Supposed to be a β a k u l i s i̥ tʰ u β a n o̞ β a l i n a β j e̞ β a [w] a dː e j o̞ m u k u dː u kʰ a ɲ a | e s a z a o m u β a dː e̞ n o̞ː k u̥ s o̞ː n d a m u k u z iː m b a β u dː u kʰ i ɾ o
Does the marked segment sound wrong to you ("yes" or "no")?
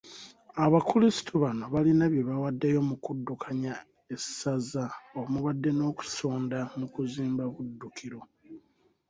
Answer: no